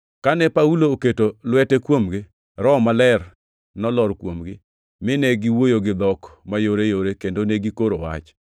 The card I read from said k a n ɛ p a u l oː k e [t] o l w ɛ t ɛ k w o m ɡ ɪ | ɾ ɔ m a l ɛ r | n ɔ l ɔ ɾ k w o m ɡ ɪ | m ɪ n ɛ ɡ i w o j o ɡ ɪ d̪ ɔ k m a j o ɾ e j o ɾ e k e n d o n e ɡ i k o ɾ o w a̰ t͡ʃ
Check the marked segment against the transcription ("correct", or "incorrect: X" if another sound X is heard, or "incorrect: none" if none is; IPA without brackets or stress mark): correct